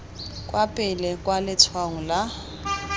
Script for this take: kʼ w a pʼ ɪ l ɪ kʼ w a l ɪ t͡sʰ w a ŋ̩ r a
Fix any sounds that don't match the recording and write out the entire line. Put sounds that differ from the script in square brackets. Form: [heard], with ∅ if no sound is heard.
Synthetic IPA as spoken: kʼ w a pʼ ɪ l ɪ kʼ w a l ɪ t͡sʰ w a ŋ̩ [l] a